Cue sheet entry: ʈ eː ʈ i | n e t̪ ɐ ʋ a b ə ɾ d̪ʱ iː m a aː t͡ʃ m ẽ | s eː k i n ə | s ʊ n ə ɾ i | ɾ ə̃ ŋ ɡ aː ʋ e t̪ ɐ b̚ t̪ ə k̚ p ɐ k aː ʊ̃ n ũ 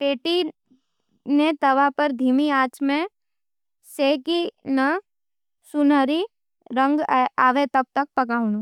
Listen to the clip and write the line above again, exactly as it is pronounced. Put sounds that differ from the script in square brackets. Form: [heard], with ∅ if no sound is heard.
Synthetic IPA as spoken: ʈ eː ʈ i | n e t̪ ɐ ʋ a [p] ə ɾ d̪ʱ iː m [i] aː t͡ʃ m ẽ | s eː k i n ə | s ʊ n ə ɾ i | ɾ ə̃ ŋ ɡ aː ʋ e t̪ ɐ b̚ t̪ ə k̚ p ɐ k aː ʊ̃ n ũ